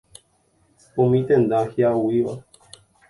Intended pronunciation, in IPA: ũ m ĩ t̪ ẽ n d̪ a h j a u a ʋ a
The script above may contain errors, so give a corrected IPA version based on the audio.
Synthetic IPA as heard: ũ m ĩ t̪ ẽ n d̪ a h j a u i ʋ a